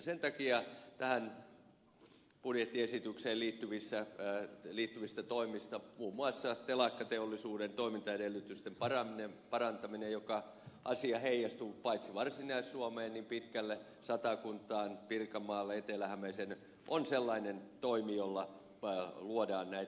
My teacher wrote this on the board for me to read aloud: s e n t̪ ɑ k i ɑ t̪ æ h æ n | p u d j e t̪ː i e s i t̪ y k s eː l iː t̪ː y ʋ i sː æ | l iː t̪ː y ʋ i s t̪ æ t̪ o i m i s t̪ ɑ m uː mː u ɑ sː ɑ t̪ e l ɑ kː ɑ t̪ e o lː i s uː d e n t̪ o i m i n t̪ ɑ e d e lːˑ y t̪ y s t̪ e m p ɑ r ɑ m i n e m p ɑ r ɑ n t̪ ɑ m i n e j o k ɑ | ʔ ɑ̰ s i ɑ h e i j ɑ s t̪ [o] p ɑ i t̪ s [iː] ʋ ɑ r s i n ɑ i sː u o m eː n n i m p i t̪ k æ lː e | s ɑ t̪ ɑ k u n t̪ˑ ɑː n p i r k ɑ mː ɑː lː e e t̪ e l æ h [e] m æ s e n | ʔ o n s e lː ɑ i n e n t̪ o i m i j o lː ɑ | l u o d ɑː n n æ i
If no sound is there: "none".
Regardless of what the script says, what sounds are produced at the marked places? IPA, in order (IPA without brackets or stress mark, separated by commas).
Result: u, i, æ